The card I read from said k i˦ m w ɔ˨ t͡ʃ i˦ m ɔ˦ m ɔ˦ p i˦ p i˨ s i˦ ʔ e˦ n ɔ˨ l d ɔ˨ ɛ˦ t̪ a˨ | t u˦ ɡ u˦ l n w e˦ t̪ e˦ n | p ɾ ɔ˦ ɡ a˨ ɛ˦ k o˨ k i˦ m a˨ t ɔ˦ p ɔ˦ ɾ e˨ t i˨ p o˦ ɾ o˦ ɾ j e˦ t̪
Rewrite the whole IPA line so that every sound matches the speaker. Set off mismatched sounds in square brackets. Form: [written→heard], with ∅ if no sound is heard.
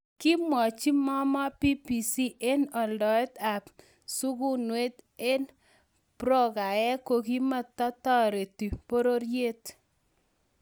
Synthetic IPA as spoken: k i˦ m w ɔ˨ t͡ʃ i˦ m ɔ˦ m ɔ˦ p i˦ p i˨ s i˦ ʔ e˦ n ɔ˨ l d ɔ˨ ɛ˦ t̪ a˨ | [t→s] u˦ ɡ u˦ [l→∅] n w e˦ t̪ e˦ n | p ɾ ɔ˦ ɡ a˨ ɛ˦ k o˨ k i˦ m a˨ t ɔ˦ [p→t] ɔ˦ ɾ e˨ t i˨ p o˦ ɾ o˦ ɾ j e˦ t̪